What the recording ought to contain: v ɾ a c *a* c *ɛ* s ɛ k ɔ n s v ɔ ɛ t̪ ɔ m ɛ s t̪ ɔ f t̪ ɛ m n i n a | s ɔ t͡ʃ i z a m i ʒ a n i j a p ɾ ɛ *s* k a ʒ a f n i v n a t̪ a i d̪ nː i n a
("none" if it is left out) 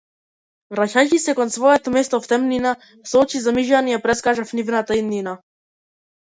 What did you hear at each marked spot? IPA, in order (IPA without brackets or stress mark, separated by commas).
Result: a, i, s